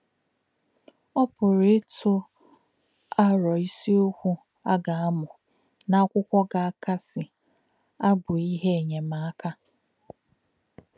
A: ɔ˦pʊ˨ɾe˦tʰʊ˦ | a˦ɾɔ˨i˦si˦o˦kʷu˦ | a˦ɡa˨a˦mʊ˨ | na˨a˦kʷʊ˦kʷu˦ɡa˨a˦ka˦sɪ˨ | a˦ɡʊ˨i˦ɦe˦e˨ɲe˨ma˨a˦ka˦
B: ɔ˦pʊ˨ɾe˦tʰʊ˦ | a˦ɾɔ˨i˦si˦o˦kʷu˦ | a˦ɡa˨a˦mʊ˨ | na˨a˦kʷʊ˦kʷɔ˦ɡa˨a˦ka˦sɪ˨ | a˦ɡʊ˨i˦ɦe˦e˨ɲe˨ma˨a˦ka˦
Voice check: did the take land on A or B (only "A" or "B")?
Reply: B